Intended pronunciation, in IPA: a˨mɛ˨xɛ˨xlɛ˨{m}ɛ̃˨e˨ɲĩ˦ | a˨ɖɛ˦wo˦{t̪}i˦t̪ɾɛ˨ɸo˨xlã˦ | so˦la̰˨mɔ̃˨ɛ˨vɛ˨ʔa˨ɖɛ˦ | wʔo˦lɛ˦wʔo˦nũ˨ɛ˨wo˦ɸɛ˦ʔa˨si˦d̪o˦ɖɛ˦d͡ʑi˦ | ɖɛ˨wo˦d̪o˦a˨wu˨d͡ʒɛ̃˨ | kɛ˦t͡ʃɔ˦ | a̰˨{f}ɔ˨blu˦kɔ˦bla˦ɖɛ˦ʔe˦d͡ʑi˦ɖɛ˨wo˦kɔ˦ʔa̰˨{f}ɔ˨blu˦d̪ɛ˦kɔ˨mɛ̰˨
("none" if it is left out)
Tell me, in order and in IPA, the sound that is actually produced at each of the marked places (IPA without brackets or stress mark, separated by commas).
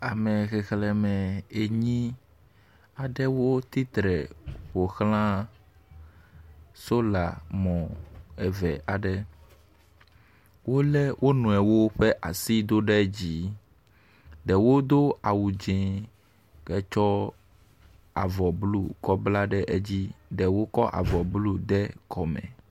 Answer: m, t̪, v, v